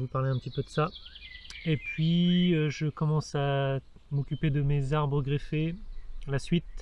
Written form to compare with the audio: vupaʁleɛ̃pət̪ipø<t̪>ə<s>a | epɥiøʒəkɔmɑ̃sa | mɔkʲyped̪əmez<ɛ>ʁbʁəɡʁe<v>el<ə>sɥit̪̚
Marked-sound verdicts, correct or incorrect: incorrect, correct, incorrect, incorrect, incorrect

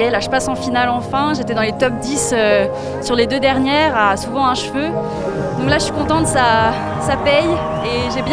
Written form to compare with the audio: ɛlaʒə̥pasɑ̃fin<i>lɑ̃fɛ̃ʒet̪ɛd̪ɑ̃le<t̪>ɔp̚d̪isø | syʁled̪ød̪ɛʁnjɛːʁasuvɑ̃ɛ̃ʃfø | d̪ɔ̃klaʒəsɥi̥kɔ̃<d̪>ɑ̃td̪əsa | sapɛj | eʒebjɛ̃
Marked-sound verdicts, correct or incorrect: incorrect, correct, incorrect

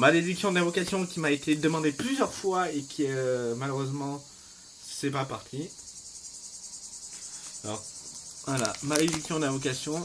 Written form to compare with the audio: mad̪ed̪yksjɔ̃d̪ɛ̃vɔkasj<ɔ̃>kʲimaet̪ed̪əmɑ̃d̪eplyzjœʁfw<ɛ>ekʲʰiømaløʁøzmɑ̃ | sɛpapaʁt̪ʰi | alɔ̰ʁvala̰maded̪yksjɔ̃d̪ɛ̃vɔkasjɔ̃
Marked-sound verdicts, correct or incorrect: correct, incorrect

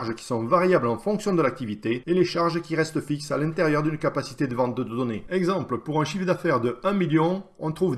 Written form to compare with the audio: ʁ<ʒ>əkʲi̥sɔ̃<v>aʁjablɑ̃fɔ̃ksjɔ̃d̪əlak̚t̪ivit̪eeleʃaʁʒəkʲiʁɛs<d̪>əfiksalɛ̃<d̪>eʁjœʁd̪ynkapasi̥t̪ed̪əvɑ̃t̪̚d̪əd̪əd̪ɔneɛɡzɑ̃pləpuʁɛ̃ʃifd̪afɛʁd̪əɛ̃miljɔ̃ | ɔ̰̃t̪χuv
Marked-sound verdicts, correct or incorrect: correct, correct, incorrect, incorrect

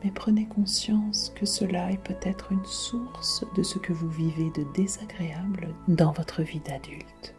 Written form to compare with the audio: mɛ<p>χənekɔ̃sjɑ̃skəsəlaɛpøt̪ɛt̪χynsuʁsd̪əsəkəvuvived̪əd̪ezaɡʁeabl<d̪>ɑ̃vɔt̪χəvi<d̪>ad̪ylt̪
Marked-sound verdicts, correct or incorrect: correct, correct, correct

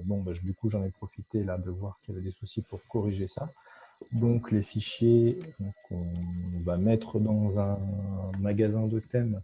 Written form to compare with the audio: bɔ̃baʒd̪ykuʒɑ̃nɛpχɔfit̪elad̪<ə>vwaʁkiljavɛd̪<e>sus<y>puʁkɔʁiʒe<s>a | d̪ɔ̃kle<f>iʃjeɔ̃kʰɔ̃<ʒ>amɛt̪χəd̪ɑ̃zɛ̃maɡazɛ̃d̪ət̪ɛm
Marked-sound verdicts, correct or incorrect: correct, correct, incorrect, correct, correct, incorrect

